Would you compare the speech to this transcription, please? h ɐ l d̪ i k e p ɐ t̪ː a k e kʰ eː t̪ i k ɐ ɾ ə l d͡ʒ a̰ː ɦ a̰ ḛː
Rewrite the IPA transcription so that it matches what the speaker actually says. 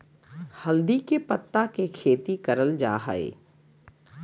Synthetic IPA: h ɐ l d̪ i k e p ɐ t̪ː a k e kʰ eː t̪ i k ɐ ɾ ə l d͡ʒ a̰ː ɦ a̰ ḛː